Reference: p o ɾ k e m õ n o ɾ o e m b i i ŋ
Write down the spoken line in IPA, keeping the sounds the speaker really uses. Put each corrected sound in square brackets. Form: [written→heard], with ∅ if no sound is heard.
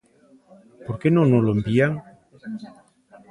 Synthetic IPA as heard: p o ɾ k e [m→n] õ n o [ɾ→l] o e m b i [i→a] ŋ